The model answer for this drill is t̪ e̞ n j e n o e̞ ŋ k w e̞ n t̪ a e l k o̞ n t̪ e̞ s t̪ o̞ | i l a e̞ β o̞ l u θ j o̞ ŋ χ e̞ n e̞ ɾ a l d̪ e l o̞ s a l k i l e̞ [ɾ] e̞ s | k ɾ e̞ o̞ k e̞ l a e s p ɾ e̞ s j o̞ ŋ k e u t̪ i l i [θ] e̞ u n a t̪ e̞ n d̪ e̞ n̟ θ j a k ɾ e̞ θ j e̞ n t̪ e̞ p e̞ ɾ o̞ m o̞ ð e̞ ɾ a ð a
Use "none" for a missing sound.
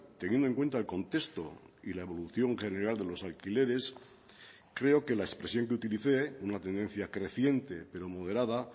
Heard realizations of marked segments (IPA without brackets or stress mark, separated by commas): ɾ, θ